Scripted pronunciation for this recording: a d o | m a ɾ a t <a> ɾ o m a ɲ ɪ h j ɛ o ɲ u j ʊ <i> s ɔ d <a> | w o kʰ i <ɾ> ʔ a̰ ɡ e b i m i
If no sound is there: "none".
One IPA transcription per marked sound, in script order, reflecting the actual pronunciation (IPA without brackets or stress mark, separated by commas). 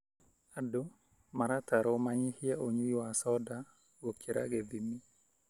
a, a, a, ɾ